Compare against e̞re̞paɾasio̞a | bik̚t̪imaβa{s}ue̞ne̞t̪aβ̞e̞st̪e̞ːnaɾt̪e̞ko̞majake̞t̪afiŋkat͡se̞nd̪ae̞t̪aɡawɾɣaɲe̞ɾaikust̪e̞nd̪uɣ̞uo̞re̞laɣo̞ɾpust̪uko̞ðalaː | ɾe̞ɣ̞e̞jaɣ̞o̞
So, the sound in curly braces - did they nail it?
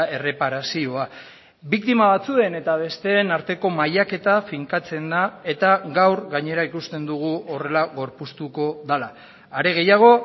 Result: no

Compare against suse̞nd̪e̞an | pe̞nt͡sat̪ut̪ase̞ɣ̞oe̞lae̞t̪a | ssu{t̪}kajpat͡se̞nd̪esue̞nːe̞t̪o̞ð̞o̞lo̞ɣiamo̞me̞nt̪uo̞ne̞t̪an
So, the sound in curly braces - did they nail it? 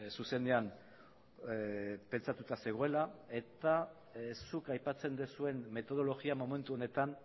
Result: no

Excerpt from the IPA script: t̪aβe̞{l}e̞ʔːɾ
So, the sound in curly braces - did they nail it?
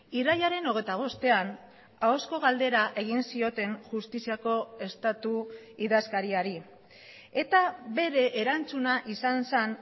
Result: no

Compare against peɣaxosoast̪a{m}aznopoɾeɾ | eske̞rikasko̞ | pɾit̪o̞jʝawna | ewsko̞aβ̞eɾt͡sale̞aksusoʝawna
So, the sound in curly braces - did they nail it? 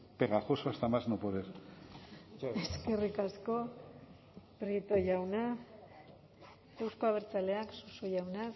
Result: yes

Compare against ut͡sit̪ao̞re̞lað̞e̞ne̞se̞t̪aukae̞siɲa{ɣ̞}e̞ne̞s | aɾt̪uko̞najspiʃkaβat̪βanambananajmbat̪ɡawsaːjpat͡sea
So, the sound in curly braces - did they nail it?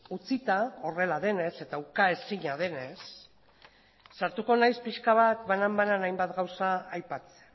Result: no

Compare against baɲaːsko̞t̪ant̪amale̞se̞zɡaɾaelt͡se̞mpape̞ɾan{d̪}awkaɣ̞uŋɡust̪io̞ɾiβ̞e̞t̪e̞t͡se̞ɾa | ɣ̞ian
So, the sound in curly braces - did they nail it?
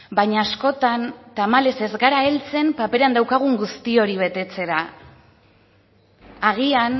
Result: yes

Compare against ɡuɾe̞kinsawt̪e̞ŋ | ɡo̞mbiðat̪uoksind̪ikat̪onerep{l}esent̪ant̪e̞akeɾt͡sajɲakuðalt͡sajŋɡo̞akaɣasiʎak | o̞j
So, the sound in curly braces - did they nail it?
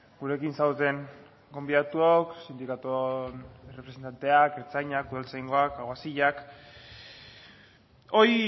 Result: no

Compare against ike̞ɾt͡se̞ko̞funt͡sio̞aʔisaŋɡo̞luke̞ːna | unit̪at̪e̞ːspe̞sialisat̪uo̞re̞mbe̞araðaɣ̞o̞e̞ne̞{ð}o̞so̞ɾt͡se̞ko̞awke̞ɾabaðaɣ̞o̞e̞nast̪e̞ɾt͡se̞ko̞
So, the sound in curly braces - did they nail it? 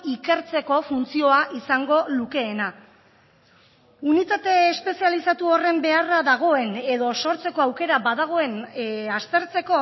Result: yes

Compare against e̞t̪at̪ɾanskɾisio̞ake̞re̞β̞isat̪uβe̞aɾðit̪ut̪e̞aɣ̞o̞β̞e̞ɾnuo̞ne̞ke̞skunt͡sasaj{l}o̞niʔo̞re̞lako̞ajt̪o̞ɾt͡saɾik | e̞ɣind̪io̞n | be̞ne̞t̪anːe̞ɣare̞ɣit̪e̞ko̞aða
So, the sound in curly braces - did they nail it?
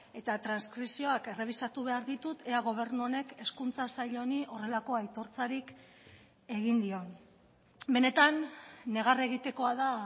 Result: no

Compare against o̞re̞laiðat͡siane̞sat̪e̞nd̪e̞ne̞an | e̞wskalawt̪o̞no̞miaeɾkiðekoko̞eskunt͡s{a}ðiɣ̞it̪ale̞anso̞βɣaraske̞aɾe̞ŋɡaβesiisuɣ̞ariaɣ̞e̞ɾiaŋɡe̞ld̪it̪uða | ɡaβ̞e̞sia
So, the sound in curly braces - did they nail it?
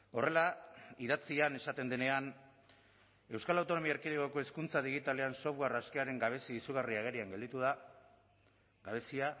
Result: yes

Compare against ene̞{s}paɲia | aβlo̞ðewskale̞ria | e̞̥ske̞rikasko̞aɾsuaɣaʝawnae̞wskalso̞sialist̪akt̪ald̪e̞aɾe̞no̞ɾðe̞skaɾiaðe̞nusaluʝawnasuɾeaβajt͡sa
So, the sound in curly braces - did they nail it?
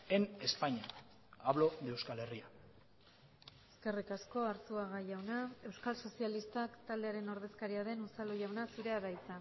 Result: yes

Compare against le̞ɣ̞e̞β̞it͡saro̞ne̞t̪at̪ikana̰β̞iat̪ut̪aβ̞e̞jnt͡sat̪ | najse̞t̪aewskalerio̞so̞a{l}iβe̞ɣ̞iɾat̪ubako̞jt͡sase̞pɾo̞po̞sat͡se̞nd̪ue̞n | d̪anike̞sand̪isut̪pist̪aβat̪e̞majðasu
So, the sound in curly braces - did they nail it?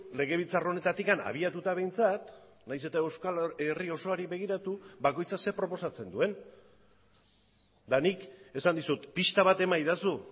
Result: no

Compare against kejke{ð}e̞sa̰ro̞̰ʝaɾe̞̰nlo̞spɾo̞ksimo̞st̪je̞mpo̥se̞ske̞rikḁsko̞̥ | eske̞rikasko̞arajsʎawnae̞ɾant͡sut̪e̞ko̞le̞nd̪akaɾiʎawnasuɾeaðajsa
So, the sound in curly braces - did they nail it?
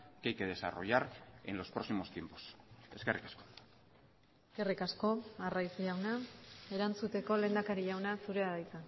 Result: yes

